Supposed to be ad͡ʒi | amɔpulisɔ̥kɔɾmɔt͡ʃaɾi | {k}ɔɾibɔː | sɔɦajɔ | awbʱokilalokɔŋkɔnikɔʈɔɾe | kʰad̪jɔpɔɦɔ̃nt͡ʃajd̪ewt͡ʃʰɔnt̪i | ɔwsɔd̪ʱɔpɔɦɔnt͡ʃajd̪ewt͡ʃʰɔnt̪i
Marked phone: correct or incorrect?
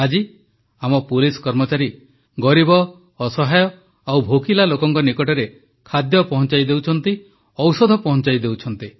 incorrect